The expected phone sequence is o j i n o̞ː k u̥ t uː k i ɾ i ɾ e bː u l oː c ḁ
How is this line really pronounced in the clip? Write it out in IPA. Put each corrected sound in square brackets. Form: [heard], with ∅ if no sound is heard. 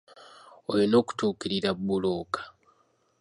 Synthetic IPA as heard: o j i n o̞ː k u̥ t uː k i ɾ i ɾ [a] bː u l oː [k] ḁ